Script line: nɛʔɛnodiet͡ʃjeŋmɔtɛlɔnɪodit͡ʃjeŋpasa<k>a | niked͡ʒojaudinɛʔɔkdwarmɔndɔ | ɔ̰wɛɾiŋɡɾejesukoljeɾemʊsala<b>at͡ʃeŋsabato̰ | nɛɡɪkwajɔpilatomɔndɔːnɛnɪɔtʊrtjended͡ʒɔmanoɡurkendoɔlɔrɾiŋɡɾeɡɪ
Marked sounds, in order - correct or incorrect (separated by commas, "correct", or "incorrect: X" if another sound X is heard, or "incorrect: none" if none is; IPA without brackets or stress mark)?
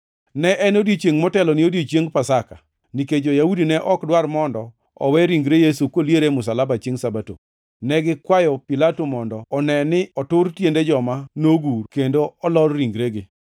correct, correct